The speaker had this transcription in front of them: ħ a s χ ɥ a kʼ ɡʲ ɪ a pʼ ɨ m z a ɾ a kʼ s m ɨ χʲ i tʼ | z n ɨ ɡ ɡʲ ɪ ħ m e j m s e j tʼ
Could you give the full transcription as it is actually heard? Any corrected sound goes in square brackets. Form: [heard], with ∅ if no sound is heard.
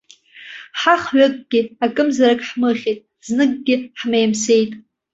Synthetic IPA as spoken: ħ a [∅] χ ɥ a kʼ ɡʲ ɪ a [kʼ] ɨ m z a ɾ a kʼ [ħ] m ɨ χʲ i tʼ | z n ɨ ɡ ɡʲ ɪ ħ m e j m s e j tʼ